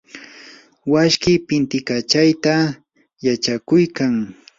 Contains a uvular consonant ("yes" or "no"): no